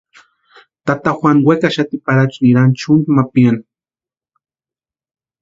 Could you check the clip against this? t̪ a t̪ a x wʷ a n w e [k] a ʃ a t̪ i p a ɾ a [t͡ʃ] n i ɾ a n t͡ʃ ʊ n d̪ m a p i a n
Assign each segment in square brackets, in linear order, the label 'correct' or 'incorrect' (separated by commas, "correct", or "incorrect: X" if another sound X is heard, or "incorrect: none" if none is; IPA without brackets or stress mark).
correct, correct